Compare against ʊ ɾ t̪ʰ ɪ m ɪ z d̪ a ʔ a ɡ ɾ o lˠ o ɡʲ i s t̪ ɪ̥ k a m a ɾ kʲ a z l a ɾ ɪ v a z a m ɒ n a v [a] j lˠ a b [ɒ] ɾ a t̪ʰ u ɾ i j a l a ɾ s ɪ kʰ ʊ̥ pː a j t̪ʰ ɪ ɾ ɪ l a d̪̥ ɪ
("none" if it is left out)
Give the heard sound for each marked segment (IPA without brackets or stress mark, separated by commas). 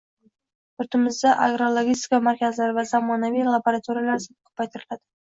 i, o